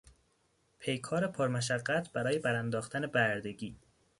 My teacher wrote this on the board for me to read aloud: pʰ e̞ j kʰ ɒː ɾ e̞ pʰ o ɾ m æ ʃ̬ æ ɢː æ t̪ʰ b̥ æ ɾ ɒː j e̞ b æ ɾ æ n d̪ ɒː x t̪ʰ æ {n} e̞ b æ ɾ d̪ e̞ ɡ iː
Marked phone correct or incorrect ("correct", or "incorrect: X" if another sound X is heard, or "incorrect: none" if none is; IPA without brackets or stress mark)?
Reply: correct